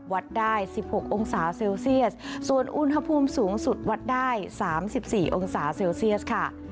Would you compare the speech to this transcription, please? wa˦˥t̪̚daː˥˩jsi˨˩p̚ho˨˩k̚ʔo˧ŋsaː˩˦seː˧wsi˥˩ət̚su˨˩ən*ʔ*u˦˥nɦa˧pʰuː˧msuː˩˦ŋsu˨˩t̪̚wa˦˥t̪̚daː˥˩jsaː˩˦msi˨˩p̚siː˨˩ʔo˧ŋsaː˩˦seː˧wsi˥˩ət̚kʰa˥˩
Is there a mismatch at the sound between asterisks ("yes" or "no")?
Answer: no